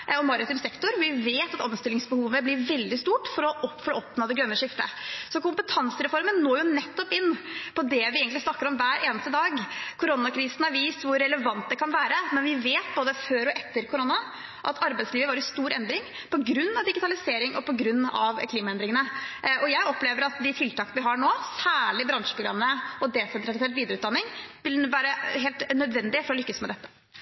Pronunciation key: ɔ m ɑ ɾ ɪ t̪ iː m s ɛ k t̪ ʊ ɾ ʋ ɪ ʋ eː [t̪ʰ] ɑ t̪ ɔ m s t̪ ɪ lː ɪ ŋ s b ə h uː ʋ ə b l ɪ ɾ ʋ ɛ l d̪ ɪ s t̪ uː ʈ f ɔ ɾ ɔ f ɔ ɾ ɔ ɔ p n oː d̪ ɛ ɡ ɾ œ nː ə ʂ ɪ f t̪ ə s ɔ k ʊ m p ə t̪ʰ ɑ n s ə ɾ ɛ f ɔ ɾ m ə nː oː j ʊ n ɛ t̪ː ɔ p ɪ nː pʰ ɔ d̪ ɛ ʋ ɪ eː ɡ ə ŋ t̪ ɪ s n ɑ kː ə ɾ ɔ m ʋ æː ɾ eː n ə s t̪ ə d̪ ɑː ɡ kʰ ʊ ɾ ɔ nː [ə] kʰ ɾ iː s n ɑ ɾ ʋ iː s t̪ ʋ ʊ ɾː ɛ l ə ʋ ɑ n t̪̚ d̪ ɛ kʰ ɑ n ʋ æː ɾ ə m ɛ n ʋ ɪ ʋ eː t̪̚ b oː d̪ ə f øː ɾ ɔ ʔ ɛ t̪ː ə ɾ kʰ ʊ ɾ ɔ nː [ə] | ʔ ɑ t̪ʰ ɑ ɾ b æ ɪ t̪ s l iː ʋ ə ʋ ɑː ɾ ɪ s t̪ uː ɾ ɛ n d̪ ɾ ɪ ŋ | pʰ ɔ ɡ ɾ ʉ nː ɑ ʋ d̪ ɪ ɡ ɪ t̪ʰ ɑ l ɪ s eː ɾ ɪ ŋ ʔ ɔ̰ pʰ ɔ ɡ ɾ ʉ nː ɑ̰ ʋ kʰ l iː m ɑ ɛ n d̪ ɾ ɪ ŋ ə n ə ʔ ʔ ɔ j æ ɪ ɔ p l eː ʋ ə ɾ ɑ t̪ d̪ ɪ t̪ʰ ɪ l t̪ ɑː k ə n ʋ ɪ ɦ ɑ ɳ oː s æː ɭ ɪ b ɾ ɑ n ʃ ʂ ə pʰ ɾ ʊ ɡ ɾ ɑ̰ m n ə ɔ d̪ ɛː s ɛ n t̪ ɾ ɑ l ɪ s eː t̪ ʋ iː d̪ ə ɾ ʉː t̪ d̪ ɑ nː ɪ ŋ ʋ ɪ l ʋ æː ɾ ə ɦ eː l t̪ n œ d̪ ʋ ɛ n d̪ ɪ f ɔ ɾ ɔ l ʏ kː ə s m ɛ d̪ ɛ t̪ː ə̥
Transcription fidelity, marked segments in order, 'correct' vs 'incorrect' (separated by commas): incorrect, incorrect, incorrect